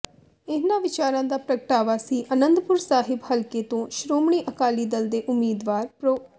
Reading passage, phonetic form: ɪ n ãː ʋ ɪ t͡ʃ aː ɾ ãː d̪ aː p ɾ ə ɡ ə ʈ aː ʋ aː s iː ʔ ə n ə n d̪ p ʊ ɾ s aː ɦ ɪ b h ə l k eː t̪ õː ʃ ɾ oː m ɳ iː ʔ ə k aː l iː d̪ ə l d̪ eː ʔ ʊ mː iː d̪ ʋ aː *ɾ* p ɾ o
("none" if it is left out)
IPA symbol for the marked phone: ɾ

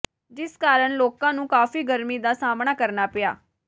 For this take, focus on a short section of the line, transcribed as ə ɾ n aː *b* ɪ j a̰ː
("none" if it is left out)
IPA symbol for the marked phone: p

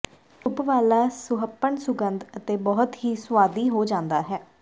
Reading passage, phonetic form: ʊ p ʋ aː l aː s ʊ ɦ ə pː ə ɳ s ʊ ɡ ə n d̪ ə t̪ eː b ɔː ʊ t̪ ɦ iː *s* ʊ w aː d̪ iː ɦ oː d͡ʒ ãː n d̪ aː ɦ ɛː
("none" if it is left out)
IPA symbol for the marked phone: s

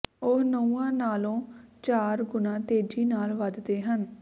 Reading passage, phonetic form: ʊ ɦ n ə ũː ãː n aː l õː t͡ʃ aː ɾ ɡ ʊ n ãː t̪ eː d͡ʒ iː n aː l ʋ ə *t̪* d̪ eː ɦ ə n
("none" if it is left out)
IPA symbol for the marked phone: d̪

